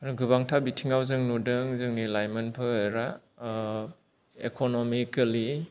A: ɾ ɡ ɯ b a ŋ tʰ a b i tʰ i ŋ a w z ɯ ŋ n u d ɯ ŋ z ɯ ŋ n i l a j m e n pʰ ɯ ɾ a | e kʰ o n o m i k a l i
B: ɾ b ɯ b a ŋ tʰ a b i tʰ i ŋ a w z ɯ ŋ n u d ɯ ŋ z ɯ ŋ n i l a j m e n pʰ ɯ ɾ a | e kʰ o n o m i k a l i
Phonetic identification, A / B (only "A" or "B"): A